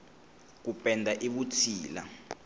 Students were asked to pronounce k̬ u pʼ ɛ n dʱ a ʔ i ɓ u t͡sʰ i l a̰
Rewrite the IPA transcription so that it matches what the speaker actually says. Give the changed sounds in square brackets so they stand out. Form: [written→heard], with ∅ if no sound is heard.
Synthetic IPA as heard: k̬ u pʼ ɛ n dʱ a ʔ i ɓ u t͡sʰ [i→iː] l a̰